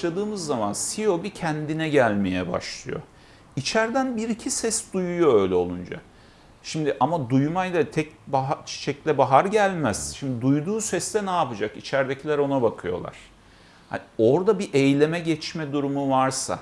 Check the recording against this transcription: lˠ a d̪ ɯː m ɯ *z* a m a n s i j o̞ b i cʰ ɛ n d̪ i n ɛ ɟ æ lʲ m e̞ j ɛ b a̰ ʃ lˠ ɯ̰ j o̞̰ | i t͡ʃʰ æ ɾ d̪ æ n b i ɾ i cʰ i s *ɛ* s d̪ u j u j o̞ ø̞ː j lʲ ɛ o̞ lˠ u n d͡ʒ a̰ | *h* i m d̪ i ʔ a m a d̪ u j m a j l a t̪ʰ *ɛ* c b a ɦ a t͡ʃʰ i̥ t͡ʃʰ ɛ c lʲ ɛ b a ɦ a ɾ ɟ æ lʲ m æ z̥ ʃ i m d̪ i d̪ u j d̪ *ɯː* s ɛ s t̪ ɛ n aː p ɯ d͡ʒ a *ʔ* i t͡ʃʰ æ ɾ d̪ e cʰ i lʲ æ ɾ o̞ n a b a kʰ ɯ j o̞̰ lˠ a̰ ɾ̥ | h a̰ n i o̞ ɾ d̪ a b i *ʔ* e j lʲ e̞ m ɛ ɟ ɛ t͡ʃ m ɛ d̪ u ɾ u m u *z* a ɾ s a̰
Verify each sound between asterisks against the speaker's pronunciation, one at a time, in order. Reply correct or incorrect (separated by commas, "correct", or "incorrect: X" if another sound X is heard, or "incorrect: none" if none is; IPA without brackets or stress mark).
incorrect: zː, correct, incorrect: ʃ, correct, incorrect: uː, incorrect: k, correct, incorrect: v